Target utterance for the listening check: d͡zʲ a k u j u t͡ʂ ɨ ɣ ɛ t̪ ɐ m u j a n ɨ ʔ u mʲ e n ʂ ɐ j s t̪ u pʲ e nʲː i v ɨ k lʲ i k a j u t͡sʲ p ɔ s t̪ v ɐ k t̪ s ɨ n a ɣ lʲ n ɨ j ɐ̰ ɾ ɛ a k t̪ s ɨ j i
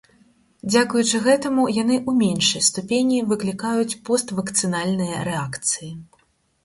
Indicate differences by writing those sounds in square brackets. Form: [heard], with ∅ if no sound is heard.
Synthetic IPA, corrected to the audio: d͡zʲ a k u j u t͡ʂ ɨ ɣ ɛ t̪ ɐ m u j a n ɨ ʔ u mʲ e n ʂ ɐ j s t̪ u pʲ e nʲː i v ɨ k lʲ i k a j u t͡sʲ p ɔ s t̪ v ɐ k t̪ s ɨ n a [∅] lʲ n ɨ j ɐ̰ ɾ ɛ a k t̪ s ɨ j i